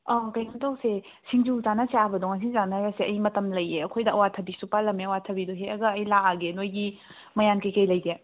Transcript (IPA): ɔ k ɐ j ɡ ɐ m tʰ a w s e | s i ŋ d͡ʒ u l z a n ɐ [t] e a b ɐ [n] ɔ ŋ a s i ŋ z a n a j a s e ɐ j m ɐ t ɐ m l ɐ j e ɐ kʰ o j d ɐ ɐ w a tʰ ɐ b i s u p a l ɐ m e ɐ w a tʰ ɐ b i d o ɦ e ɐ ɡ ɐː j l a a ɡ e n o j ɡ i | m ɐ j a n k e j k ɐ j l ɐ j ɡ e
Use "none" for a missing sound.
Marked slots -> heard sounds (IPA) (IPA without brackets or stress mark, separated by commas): s, d